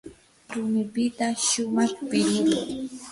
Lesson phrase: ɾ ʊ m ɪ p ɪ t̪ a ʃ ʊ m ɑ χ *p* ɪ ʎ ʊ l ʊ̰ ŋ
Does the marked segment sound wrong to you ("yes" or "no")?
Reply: no